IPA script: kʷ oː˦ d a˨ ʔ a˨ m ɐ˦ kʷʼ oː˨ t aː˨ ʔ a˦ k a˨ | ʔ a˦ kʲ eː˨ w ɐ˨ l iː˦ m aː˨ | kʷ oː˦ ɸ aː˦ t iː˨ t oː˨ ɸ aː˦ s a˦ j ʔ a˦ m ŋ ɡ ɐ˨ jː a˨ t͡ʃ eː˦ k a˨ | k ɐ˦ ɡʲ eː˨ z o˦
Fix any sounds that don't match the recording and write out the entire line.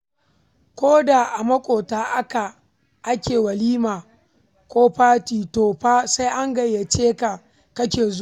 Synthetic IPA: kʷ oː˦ d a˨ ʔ a˨ m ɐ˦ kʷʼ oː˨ t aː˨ ʔ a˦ k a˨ | ʔ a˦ kʲ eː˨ w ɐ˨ l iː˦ m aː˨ | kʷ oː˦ ɸ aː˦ t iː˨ t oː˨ ɸ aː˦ s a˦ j ʔ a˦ ŋ ɡ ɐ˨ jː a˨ t͡ʃ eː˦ k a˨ | k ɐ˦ kʲ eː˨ z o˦